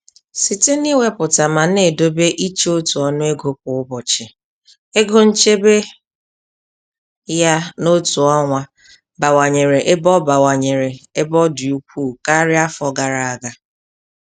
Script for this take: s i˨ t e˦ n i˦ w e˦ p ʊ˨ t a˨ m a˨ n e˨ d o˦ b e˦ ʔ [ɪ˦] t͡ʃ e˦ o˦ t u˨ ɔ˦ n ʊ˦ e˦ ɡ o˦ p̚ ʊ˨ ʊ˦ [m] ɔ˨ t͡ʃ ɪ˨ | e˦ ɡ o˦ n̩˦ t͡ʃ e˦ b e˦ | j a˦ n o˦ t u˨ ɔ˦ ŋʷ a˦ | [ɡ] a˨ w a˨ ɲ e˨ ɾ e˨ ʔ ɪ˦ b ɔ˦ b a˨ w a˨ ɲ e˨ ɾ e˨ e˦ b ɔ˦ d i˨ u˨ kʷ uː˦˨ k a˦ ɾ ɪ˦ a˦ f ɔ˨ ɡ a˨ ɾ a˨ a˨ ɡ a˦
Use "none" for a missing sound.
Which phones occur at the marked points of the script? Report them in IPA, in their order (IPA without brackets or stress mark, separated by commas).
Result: i˦, b, b